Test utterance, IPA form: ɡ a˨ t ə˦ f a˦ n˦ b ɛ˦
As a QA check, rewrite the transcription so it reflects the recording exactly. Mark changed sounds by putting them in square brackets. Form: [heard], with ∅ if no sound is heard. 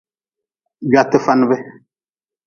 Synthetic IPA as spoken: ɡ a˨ t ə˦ f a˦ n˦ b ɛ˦